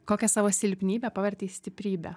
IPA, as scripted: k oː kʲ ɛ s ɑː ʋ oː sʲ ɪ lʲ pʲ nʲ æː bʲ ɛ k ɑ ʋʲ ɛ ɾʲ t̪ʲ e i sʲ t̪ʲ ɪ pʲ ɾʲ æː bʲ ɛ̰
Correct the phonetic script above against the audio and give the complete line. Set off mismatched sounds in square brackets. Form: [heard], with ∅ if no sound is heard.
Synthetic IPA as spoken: k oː kʲ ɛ s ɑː ʋ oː sʲ ɪ lʲ pʲ nʲ [iː] bʲ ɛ [p] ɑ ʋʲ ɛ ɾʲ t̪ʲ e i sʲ t̪ʲ ɪ pʲ ɾʲ [iː] bʲ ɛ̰